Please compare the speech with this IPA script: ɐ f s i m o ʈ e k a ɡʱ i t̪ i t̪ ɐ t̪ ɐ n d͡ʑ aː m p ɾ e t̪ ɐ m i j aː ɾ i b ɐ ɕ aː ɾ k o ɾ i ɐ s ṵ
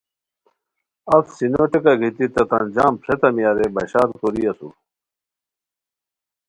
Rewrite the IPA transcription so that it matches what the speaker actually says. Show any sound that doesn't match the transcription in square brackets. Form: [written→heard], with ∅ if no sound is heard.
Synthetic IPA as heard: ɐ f s i [m→n] o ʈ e k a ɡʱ i t̪ i t̪ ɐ t̪ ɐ n d͡ʑ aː m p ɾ e t̪ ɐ m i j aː ɾ [i→e] b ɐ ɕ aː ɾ k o ɾ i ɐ s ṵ